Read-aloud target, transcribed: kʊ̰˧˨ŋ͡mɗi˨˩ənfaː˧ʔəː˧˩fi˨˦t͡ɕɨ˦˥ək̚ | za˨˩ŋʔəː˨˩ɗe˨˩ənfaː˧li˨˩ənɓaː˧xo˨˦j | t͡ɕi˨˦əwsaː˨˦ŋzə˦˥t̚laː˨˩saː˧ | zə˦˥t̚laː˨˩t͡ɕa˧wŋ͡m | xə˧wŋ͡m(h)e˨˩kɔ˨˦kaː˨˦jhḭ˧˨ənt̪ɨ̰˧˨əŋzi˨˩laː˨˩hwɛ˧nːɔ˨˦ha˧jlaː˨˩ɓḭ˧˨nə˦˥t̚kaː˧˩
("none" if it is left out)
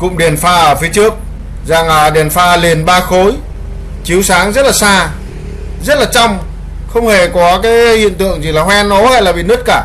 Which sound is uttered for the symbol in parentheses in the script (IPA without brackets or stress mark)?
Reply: h